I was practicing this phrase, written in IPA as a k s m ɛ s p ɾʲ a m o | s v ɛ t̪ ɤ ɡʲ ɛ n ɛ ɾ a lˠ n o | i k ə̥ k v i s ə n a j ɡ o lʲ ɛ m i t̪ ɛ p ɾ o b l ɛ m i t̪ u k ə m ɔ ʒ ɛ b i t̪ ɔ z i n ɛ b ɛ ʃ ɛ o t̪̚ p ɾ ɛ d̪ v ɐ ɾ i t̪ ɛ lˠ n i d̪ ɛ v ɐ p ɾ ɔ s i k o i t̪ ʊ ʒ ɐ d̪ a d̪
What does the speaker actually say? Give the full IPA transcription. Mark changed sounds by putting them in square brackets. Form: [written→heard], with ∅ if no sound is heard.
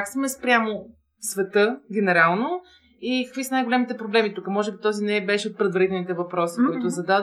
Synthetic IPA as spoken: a k s m ɛ s p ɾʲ a m o | s v ɛ t̪ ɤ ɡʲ ɛ n ɛ ɾ a lˠ n o | i k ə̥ k v i s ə n a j ɡ o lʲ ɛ m i t̪ ɛ p ɾ o b l ɛ m i t̪ u k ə m ɔ ʒ ɛ b i t̪ ɔ z i n ɛ b ɛ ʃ ɛ o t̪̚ p ɾ ɛ d̪ v ɐ ɾ i t̪ ɛ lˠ n i [d̪→t̪] ɛ v ɐ p ɾ ɔ s i k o i t̪ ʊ [ʒ→z] ɐ d̪ a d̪